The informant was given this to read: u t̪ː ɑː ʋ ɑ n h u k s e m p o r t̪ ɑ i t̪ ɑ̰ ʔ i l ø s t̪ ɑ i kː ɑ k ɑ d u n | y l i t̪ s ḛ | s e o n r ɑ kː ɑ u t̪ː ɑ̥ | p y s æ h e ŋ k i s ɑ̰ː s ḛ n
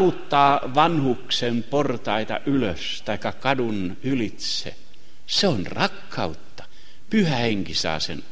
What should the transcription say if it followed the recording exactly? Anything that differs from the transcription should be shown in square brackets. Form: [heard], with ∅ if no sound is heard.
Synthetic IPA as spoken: u t̪ː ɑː ʋ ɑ n h u k s e m p o r t̪ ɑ i t̪ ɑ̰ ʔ [y] l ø s t̪ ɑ i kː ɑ k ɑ d u n | y l i t̪ s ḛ | s e o n r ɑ kː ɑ u t̪ː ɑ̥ | p y [h] æ h e ŋ k i s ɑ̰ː s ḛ n